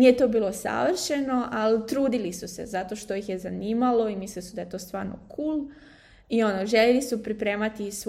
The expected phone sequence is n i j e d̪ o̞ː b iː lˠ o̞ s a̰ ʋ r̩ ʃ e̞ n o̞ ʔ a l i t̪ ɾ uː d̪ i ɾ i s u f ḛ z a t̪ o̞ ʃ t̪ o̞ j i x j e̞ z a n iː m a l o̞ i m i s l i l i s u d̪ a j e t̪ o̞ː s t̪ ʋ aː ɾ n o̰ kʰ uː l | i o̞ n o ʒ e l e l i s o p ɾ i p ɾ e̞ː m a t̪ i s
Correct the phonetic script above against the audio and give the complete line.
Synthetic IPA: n i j e t̪ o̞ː b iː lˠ o̞ s a̰ ʋ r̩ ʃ e̞ n o̞ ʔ a l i t̪ ɾ uː d̪ i l i s u s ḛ z a t̪ o̞ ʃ t̪ o̞ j i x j e̞ z a n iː m a l o̞ i m i s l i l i s u d̪ a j e t̪ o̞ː s t̪ ʋ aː ɾ n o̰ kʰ uː l | i o̞ n o ʒ e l e l i s u p ɾ i p ɾ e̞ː m a t̪ i s